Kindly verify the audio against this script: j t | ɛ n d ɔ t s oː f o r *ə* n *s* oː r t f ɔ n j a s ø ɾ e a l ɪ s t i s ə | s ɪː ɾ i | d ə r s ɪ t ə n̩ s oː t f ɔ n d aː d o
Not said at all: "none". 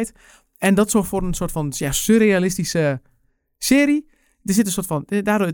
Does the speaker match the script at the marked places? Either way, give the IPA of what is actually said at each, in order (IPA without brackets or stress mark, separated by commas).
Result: ə, s